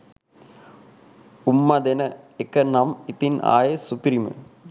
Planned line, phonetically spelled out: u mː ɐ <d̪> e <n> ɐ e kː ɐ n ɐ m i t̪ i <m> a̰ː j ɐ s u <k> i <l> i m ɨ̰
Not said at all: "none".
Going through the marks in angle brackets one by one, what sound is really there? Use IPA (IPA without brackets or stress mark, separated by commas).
d̪, n, n, p, ɾ